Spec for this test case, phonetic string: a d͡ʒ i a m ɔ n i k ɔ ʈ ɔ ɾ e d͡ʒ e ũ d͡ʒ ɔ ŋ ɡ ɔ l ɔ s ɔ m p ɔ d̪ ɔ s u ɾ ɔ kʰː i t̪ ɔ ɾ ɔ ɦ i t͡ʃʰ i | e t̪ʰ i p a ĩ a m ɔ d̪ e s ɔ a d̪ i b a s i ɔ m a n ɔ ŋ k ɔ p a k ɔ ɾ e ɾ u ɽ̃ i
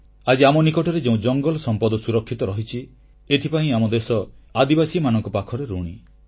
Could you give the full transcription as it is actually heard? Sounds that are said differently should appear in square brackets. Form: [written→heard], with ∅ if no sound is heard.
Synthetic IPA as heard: a d͡ʒ i a m ɔ n i k ɔ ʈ ɔ ɾ e d͡ʒ e ũ d͡ʒ ɔ ŋ ɡ ɔ l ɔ s ɔ m p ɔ d̪ ɔ s u ɾ ɔ kʰː i t̪ ɔ ɾ ɔ ɦ i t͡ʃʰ i | e t̪ʰ i p a ĩ a m ɔ d̪ e s ɔ a d̪ i b a s i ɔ m a n ɔ ŋ k ɔ p a [k→kʰ] ɔ ɾ e ɾ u ɽ̃ i